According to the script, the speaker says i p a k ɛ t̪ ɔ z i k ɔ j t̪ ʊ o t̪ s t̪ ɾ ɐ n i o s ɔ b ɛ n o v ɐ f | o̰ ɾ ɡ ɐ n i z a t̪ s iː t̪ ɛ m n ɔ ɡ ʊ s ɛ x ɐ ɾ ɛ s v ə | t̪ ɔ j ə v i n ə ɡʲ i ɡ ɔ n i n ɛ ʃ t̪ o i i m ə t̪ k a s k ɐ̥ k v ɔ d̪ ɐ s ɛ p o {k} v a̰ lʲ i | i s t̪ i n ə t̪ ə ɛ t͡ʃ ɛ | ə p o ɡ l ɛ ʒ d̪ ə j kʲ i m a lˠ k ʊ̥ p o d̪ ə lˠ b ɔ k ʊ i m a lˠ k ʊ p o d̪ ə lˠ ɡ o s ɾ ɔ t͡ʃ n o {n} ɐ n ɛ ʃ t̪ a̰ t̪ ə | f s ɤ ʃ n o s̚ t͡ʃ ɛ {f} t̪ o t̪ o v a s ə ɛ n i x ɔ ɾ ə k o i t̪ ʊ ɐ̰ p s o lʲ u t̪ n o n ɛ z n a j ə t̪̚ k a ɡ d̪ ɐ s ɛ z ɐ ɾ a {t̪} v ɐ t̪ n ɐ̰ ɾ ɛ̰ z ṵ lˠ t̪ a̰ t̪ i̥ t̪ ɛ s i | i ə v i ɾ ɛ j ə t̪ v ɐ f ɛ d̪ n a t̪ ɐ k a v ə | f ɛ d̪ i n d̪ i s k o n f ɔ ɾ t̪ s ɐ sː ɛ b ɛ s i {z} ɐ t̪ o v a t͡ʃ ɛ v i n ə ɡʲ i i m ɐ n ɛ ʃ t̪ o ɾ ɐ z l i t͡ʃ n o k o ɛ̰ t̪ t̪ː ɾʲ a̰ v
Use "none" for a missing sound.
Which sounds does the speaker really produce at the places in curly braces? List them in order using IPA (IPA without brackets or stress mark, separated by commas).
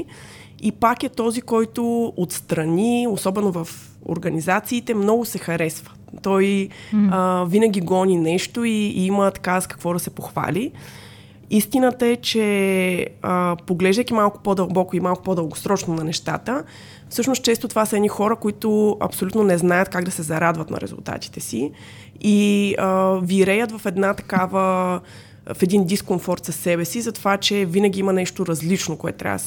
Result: x, n, s, d̪, z